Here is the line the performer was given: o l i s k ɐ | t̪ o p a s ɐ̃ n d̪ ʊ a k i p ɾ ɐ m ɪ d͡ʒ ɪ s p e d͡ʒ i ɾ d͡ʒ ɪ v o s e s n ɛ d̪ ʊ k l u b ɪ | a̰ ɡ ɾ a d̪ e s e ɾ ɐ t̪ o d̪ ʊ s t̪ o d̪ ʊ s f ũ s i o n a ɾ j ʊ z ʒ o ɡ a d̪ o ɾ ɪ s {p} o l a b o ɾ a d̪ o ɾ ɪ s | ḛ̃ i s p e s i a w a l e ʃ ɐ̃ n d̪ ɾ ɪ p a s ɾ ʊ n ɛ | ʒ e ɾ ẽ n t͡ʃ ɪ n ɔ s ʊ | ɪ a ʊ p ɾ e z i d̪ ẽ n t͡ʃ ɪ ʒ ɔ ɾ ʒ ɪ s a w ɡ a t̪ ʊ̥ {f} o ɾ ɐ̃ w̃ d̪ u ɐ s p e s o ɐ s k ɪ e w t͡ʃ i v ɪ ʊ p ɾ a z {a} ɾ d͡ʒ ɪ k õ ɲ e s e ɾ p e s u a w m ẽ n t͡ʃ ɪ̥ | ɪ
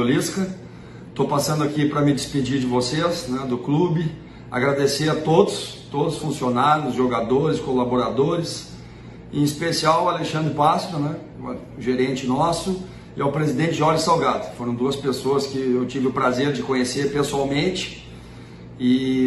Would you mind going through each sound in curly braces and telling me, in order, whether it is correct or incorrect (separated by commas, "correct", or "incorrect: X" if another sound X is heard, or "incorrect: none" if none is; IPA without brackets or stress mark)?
incorrect: k, correct, incorrect: e